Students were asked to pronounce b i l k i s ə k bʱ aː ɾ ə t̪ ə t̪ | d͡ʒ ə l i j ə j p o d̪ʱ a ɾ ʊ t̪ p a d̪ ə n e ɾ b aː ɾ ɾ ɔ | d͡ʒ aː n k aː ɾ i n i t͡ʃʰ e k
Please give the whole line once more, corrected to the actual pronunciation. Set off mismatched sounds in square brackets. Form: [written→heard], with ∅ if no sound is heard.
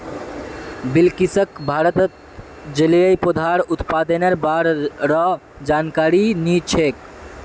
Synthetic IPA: b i l k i s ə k bʱ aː ɾ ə t̪ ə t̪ | d͡ʒ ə l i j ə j p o d̪ʱ a ɾ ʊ t̪ p a d̪ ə n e ɾ b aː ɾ ɾ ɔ | d͡ʒ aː n k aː ɾ i n i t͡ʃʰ e k